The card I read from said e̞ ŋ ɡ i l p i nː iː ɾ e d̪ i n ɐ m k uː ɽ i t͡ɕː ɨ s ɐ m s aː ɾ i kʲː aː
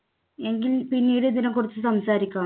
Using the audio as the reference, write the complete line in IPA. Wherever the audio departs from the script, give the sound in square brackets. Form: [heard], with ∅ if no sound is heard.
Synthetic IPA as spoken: e̞ ŋ ɡ i l p i nː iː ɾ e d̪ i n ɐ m k [u] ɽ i t͡ɕː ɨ s ɐ m s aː ɾ i kʲː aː